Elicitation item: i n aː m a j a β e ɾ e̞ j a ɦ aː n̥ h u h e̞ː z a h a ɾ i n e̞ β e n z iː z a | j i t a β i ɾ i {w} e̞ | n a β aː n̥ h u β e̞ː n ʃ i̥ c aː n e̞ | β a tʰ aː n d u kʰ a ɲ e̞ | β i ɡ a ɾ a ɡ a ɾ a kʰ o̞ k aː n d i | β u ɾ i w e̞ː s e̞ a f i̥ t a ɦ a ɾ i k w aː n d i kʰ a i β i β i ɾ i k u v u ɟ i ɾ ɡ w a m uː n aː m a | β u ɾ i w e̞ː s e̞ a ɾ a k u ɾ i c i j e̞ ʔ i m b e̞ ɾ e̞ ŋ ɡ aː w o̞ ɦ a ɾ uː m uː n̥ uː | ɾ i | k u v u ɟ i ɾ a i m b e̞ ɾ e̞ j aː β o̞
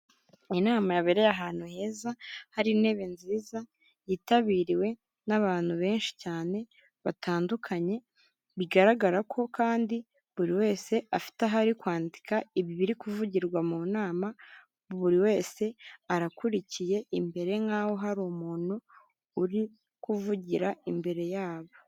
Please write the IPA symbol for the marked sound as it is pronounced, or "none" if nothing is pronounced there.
w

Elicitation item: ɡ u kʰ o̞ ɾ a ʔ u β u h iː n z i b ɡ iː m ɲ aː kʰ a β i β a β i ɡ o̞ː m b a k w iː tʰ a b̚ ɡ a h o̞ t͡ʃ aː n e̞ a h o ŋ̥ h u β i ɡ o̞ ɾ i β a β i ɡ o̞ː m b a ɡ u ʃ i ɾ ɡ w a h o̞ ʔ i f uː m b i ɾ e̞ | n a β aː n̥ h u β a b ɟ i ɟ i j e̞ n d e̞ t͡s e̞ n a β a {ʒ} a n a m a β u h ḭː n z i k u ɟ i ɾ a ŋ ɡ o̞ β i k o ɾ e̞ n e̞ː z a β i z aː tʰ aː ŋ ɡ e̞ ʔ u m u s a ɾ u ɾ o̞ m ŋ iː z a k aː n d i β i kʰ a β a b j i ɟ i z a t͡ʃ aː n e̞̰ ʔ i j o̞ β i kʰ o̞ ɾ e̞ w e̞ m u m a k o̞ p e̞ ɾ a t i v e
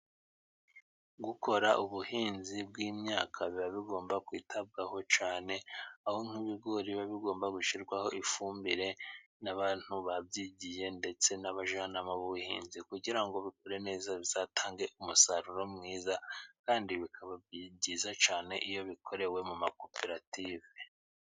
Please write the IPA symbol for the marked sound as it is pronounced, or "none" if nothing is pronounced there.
ʒ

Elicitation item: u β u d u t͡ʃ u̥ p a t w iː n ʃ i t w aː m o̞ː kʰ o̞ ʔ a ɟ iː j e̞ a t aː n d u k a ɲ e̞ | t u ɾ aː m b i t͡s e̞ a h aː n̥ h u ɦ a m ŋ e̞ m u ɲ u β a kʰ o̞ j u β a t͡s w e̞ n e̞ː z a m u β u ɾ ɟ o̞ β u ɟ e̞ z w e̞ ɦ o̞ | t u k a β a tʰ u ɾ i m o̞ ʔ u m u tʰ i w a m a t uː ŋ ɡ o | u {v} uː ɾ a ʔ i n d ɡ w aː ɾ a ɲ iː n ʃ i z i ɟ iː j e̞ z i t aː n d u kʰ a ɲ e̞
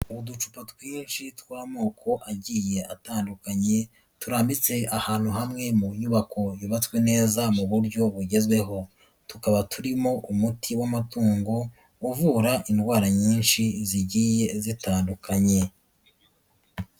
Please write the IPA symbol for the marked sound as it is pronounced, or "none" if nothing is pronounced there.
v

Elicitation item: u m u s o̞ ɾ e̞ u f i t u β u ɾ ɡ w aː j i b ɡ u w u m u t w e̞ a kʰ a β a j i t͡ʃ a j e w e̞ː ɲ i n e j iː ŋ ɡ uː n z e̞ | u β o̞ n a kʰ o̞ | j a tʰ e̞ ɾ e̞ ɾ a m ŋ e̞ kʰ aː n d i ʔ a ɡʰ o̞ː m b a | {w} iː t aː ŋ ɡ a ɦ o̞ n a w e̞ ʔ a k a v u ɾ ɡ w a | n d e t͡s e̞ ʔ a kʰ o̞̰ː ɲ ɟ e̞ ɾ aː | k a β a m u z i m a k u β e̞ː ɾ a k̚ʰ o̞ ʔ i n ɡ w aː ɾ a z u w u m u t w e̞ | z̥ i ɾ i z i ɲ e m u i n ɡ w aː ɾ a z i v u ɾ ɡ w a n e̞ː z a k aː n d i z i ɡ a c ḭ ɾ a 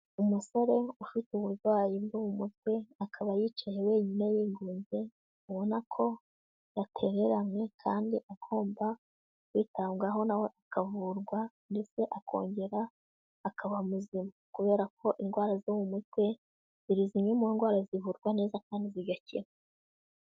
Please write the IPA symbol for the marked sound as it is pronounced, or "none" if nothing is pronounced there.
w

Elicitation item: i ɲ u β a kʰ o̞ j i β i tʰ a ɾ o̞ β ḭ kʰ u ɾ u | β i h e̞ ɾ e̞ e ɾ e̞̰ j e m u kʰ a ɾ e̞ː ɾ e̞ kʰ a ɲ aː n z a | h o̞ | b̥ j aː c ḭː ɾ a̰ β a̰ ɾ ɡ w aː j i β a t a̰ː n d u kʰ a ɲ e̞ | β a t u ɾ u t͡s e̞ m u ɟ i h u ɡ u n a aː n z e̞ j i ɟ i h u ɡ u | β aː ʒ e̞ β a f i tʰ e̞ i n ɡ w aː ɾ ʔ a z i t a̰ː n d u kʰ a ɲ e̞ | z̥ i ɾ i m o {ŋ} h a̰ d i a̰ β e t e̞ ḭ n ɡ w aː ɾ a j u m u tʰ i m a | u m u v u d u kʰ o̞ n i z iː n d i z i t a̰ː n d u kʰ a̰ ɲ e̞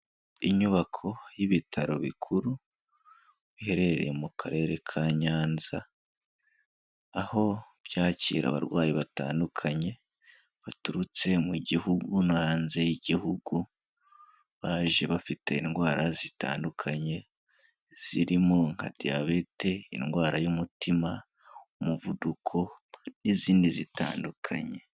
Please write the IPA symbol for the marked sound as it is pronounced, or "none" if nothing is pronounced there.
ŋ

